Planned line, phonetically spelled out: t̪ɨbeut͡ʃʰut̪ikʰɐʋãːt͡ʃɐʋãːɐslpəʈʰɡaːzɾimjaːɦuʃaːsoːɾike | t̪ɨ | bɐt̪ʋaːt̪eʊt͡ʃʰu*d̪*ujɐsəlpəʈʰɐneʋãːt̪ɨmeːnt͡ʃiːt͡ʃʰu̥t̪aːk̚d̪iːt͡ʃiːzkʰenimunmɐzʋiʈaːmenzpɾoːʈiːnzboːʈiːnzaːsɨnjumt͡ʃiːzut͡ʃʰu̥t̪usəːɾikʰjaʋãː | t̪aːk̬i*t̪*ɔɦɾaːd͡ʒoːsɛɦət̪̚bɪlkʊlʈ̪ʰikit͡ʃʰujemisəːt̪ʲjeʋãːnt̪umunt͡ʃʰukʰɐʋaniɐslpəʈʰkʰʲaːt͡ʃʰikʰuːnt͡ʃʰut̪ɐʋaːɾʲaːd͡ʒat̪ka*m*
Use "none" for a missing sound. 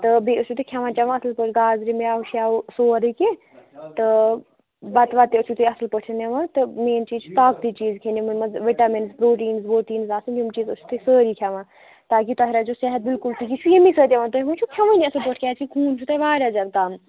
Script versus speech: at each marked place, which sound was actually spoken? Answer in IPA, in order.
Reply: t̪, t̪, m

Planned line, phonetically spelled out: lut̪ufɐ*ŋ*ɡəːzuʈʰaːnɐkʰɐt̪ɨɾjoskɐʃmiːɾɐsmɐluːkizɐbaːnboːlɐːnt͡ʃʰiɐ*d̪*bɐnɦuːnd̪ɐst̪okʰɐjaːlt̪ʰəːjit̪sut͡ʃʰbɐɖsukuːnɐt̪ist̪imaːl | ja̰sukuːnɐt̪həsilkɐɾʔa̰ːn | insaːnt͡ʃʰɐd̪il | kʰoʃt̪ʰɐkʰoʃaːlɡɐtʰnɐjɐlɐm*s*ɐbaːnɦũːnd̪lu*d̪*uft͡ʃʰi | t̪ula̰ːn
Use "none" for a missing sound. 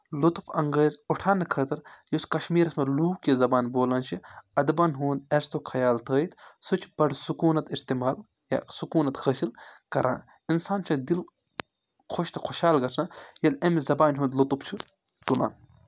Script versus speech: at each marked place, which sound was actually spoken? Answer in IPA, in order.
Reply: ŋ, d̪, z, t̪

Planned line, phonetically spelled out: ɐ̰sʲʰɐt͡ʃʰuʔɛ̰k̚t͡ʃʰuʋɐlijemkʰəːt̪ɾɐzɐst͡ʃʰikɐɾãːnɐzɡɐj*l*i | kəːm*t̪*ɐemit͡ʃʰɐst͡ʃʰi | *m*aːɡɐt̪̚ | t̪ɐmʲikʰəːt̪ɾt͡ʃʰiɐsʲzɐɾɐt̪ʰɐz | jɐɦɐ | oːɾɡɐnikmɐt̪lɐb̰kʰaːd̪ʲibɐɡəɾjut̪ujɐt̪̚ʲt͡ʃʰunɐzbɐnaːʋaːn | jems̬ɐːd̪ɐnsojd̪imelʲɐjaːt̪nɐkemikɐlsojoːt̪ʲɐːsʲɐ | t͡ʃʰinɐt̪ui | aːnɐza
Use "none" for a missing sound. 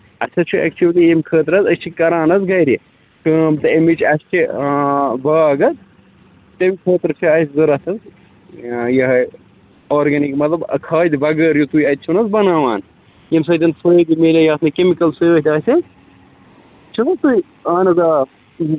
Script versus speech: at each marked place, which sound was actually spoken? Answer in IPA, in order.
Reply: ɾ, t̪, b

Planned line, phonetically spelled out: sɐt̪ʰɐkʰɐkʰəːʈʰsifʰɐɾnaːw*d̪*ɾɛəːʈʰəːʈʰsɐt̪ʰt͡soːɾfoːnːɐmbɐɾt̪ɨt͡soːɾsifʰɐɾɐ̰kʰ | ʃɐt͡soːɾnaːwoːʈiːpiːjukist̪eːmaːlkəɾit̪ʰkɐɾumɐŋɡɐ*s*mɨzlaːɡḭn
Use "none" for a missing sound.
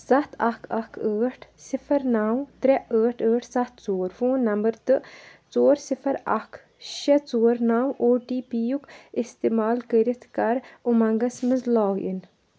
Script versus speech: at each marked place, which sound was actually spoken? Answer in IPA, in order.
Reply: t̪, s

